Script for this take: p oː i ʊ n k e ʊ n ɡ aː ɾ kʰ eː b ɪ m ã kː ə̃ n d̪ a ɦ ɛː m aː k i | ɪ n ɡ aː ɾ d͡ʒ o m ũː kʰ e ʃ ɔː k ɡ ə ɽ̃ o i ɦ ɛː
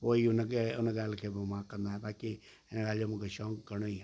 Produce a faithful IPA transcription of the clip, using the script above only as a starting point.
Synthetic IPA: p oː i ʊ n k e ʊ n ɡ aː l kʰ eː b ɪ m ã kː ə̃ n d̪ a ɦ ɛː b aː k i | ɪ n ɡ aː l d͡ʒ o m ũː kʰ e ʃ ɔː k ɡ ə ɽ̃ o i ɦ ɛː

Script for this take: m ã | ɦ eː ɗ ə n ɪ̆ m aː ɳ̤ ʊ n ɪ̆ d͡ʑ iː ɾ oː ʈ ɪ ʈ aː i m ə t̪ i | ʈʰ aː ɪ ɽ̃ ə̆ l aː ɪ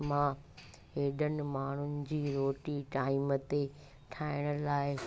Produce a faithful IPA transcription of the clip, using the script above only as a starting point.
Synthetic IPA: m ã | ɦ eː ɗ ə n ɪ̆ m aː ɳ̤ ʊ n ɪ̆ d͡ʑ iː ɾ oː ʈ i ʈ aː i m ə t̪ e | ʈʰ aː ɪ ɽ̃ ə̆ l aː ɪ

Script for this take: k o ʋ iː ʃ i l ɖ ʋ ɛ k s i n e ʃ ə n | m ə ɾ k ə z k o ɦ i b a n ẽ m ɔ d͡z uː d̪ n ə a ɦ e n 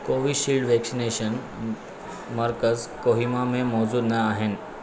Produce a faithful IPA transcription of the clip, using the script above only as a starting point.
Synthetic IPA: k o ʋ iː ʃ i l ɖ ʋ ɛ k s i n e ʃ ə n | m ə ɾ k ə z k o ɦ i m a m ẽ m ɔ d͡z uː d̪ n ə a ɦ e n

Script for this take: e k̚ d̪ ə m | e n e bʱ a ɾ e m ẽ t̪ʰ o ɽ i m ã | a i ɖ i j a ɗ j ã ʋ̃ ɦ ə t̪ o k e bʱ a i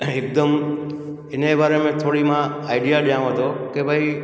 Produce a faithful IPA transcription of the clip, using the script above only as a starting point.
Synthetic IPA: e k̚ d̪ ə m | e n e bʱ a ɾ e m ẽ t̪ʰ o ɽ i m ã | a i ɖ i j a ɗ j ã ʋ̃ ɦ ə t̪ o k e bʱ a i

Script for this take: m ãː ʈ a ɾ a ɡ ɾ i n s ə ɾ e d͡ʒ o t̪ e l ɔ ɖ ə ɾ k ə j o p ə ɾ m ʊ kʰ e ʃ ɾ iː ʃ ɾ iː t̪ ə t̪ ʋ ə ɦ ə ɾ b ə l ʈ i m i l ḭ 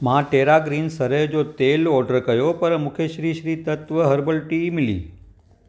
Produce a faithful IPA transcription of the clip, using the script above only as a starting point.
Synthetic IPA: m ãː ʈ e ɾ a ɡ ɾ i n s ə ɾ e d͡ʒ o t̪ e l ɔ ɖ ə ɾ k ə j o p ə ɾ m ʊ kʰ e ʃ ɾ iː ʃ ɾ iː t̪ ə t̪ ʋ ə ɦ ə ɾ b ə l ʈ i m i l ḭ

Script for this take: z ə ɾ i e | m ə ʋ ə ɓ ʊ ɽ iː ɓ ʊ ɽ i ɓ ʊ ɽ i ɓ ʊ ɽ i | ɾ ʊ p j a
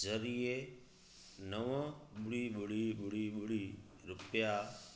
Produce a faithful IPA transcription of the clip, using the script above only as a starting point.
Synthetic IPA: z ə ɾ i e | n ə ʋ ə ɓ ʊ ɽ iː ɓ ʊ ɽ i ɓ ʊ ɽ i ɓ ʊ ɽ i | ɾ ʊ p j a

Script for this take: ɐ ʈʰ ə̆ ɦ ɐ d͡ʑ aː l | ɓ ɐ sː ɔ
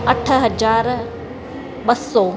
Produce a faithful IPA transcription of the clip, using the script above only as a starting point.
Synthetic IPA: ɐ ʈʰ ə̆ ɦ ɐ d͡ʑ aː ɾ | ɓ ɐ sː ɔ

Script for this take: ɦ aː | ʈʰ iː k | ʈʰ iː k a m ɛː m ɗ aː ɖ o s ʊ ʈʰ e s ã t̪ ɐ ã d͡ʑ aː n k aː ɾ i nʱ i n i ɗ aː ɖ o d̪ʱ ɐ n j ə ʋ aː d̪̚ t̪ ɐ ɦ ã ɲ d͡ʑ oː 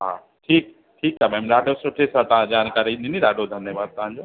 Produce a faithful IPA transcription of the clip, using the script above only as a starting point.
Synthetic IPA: ɦ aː | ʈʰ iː k | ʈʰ iː k a m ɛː m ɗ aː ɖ o s ʊ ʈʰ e s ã t̪ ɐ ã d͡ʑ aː n k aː ɾ i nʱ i n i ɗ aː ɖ o d̪ʱ ɐ n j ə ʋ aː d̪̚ t̪ ɐ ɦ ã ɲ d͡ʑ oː

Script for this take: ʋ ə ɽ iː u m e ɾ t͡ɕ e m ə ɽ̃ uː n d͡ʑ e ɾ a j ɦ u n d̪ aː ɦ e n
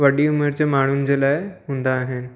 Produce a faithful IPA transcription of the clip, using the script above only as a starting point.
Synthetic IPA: ʋ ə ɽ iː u m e ɾ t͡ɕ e m a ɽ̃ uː n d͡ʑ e l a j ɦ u n d̪ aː ɦ e n

